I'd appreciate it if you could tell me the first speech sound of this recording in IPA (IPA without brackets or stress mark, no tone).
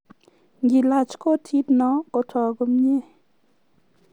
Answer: ŋ